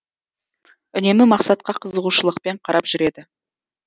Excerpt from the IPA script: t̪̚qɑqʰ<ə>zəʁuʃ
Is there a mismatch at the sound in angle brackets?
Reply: no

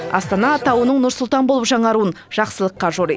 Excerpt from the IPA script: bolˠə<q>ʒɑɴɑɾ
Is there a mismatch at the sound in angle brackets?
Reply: yes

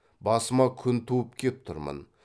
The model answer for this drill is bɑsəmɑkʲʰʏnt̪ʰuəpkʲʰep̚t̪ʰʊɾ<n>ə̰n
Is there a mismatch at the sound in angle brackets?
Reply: yes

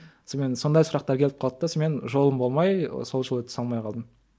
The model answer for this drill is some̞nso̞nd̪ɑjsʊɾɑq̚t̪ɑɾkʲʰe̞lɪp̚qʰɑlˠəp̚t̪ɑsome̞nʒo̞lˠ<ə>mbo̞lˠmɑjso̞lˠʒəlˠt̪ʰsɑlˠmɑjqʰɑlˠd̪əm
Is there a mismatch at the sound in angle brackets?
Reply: no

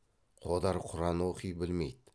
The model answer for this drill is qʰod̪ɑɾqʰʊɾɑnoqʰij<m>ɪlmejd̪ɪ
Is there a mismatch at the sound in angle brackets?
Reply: yes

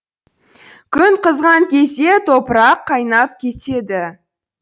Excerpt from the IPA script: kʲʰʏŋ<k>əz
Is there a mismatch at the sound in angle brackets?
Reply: yes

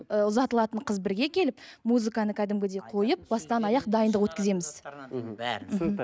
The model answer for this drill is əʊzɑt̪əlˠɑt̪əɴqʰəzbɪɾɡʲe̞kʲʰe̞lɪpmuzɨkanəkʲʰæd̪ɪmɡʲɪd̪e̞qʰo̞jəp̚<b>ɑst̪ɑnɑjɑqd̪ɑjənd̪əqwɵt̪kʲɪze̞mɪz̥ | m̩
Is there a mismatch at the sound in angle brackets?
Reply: no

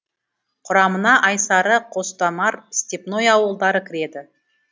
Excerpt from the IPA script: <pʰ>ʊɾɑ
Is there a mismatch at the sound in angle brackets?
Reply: yes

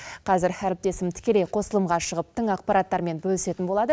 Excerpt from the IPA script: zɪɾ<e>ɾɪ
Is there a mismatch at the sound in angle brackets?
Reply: yes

